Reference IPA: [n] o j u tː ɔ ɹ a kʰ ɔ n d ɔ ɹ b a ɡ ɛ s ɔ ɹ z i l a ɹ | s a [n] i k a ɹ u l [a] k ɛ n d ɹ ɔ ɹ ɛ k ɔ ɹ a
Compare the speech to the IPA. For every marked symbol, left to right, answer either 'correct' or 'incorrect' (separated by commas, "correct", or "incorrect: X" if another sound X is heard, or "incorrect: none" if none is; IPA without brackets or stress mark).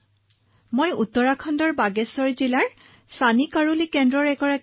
incorrect: m, correct, incorrect: i